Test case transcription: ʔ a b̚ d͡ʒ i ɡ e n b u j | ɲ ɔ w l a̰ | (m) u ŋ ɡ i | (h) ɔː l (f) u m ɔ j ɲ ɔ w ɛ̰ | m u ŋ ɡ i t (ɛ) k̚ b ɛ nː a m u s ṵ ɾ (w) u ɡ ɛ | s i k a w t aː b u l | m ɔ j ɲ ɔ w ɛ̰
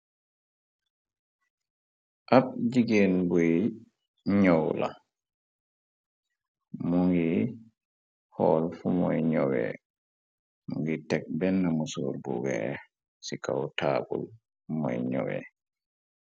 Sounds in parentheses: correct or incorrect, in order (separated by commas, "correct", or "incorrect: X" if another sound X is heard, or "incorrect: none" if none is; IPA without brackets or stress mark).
correct, correct, correct, correct, incorrect: b